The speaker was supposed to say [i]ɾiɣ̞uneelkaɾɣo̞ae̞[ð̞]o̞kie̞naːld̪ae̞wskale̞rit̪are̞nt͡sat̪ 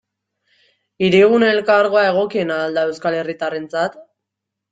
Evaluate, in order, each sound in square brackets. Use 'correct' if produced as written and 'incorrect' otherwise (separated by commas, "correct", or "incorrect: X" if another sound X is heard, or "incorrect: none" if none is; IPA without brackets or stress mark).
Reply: correct, incorrect: ɣ̞